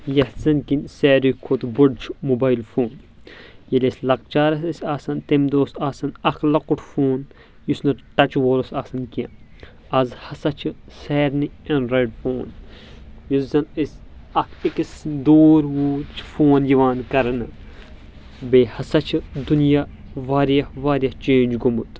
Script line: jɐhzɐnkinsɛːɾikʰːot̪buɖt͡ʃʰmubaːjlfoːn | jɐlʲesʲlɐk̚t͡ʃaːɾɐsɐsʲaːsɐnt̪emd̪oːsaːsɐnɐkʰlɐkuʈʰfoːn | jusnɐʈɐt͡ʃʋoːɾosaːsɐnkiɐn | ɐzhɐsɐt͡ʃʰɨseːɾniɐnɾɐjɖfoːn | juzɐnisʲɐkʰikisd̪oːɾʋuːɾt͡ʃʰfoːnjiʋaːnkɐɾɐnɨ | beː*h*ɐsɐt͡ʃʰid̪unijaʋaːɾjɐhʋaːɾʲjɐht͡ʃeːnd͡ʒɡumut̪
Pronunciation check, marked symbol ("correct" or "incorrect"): correct